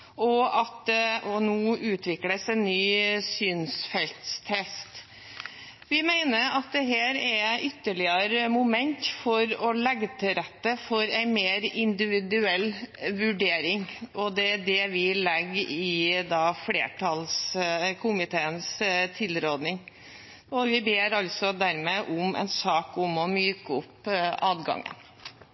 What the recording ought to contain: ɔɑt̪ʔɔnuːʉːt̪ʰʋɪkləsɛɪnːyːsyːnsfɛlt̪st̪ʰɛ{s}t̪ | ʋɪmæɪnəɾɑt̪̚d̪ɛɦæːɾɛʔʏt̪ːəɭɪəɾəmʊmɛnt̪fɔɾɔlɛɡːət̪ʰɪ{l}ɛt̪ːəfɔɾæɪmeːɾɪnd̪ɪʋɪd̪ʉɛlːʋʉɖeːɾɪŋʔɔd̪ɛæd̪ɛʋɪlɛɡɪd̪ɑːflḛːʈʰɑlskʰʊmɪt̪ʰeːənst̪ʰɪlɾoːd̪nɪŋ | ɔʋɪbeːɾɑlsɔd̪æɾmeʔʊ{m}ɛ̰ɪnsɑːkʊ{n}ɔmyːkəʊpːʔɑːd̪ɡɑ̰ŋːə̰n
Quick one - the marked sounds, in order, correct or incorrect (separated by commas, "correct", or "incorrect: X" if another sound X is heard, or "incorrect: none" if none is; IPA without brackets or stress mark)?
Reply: correct, incorrect: ɾ, correct, incorrect: m